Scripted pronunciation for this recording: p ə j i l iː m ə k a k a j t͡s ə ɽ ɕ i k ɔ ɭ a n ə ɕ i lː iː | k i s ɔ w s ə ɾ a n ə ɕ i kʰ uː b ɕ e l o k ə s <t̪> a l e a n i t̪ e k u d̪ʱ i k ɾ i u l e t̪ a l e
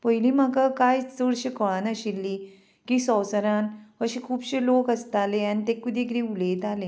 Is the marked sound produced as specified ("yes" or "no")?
yes